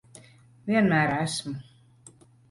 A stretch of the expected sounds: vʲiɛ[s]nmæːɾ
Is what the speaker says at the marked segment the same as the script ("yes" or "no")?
no